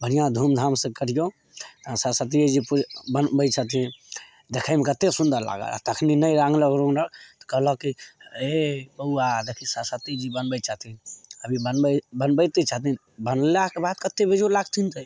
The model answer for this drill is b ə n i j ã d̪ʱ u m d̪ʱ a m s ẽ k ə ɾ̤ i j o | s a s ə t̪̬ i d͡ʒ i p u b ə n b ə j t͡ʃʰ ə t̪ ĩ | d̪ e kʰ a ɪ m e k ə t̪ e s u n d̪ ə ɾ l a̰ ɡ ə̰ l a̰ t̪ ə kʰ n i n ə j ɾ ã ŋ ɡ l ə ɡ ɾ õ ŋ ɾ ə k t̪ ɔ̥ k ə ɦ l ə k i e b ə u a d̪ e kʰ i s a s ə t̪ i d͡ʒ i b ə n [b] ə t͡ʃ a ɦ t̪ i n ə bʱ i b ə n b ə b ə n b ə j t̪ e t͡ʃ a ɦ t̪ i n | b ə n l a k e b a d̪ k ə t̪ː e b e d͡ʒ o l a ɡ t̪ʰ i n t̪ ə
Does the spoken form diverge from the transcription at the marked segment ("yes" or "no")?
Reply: no